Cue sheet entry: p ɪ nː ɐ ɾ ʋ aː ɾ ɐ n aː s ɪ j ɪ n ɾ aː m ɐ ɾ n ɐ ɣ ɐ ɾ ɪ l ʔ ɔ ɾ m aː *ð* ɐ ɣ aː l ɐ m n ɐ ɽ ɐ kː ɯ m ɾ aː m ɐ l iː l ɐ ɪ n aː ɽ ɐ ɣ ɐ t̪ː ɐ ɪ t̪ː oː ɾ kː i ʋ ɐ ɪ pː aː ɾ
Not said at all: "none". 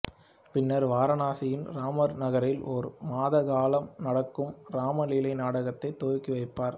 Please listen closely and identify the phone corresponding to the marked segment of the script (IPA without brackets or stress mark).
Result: ð